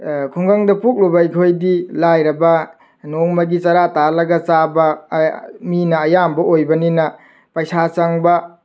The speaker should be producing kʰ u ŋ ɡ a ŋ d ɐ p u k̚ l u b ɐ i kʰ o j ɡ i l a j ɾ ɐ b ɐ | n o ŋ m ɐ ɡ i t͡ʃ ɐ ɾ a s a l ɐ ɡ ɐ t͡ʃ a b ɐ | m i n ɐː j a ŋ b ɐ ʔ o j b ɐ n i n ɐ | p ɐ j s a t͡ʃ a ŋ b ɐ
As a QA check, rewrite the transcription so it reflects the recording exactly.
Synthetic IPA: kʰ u ŋ ɡ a ŋ d ɐ p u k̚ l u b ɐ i kʰ o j d i l a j ɾ ɐ b ɐ | n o ŋ m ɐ ɡ i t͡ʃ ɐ ɾ a t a l ɐ ɡ ɐ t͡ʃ a b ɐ | m i n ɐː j a m b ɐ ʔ o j b ɐ n i n ɐ | p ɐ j s a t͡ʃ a ŋ b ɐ